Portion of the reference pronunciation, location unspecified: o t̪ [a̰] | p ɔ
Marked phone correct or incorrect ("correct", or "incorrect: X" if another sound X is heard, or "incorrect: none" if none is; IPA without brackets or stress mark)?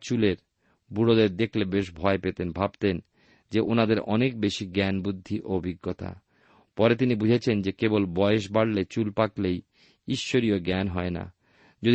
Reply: correct